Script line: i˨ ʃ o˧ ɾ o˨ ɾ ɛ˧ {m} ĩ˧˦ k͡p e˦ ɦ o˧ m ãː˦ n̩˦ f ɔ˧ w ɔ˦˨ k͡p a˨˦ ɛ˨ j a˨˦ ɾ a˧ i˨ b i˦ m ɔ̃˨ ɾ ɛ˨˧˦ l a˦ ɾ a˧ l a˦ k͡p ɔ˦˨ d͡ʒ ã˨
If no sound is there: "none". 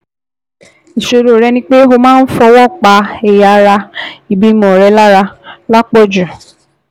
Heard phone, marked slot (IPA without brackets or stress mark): n